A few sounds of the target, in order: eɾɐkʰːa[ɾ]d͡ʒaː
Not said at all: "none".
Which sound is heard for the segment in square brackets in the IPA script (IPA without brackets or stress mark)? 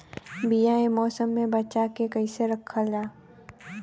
none